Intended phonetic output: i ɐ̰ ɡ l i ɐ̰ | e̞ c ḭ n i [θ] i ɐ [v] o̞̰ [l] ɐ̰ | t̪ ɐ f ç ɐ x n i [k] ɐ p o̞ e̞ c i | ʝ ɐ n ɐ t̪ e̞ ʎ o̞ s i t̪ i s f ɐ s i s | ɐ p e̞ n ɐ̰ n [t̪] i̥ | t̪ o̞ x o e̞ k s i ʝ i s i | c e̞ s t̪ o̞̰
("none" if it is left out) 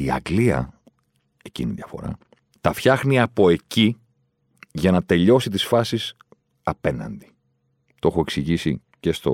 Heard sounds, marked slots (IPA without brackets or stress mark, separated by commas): ð, f, ɾ, none, d̪